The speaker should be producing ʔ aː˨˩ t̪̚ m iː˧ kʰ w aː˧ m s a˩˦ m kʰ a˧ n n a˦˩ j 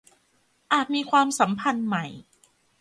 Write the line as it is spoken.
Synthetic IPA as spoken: ʔ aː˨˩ t̪̚ m iː˧ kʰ w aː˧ m s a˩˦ m pʰ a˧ n m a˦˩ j